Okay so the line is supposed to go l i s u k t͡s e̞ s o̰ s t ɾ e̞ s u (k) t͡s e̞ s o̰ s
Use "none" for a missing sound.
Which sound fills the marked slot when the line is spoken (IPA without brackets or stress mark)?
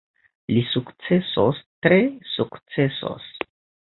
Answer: k